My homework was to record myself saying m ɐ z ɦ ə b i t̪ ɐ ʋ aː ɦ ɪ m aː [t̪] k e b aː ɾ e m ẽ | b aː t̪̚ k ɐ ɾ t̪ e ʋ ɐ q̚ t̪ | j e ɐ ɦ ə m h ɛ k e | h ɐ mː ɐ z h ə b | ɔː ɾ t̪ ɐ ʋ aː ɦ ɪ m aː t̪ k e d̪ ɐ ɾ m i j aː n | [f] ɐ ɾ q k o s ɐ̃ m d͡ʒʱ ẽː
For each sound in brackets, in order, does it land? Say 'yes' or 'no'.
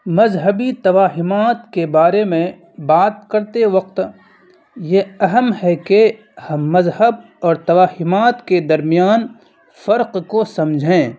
yes, yes

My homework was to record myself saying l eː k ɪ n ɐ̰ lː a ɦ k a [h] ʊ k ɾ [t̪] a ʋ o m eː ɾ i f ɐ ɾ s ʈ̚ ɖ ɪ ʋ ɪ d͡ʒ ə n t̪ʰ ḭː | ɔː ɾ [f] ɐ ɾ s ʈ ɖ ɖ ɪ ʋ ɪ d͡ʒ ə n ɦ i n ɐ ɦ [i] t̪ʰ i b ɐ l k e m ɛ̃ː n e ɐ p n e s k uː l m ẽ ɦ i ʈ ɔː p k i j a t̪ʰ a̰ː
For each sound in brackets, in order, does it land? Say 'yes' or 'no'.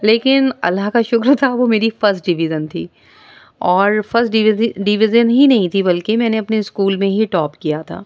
no, no, yes, no

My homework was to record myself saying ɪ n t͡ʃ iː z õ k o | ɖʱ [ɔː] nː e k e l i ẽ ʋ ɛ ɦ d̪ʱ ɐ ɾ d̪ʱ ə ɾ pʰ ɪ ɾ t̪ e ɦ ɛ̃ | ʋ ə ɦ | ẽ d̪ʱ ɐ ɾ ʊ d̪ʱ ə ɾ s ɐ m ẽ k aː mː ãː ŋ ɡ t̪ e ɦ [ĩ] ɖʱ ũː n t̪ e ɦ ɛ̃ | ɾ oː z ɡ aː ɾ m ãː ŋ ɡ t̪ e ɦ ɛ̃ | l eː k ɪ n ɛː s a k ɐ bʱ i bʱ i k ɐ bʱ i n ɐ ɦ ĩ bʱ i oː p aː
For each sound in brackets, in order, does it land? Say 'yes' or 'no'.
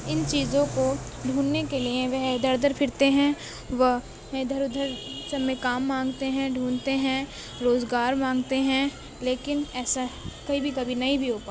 no, no

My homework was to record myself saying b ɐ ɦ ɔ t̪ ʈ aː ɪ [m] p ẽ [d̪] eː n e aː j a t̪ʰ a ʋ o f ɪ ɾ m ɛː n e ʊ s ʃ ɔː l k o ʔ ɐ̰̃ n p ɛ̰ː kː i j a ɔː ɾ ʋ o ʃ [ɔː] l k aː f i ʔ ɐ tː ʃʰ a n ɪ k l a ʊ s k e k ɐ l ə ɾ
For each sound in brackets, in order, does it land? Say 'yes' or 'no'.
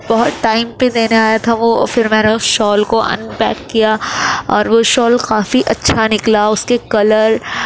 yes, yes, yes

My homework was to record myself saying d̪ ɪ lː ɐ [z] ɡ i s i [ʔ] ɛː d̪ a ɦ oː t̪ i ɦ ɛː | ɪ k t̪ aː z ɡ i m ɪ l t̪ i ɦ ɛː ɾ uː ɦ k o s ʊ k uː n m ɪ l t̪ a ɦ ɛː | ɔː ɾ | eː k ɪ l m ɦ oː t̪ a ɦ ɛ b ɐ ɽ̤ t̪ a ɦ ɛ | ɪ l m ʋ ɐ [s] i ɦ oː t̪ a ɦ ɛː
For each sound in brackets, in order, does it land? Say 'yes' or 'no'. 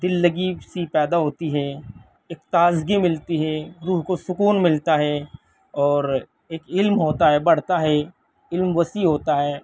no, no, yes

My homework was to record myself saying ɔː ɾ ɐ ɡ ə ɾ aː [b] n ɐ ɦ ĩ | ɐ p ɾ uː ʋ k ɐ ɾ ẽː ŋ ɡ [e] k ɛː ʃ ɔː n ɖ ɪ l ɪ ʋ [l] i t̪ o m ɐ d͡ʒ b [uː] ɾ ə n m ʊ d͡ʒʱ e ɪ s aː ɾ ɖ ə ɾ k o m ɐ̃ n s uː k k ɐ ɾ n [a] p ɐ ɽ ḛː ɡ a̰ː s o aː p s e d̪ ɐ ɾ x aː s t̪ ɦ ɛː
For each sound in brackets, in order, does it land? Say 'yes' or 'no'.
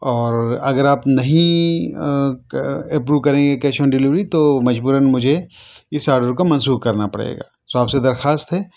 no, yes, no, yes, yes

